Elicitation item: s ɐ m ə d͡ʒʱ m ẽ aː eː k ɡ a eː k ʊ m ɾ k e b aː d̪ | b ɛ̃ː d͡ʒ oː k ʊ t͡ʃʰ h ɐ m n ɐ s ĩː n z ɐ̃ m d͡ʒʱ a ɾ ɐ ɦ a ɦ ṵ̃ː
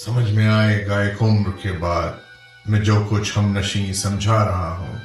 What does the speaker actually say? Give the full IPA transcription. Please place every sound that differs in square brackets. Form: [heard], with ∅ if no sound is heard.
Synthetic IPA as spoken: s ɐ m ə d͡ʒʱ m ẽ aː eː [∅] ɡ a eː k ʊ m ɾ k e b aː d̪ | [m] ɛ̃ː d͡ʒ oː k ʊ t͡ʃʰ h ɐ m n ɐ [ʃ] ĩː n [s] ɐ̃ m d͡ʒʱ a ɾ ɐ ɦ a ɦ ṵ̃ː